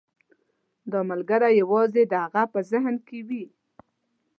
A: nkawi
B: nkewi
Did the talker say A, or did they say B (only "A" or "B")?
B